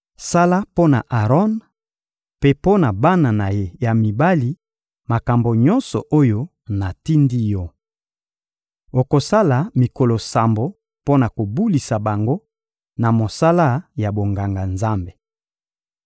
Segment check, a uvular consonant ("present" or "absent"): present